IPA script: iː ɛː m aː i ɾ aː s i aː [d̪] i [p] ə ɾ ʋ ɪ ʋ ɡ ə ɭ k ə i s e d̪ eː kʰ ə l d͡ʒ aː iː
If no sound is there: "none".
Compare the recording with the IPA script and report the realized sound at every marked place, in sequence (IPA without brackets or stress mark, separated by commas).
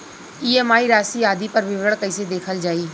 d̪, p